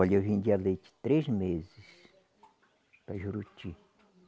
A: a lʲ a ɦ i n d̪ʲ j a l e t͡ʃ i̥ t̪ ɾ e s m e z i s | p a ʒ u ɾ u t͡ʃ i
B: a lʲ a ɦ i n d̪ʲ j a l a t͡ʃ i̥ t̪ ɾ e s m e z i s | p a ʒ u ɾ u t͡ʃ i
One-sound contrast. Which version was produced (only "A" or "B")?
A